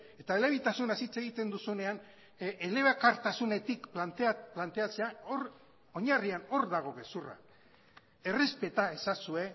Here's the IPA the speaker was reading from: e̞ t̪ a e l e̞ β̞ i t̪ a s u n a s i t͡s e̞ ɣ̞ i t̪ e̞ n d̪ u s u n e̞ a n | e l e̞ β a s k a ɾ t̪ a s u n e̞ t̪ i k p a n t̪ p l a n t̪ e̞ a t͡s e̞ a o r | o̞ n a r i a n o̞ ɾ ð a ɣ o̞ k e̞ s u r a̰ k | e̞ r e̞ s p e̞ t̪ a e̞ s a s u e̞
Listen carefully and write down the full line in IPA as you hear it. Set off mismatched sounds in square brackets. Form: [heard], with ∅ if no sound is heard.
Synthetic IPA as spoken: e̞ t̪ a e l e̞ β̞ i t̪ a s u n a s i t͡s e̞ ɣ̞ i t̪ e̞ n d̪ u s u n e̞ a n | e l e̞ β a [∅] k a ɾ t̪ a s u n e̞ t̪ i k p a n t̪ p l a n t̪ e̞ a t͡s e̞ a o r | o̞ [ɲ] a r i a n o̞ ɾ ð a ɣ o̞ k e̞ s u r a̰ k | e̞ r e̞ s p e̞ t̪ a e̞ s a s u e̞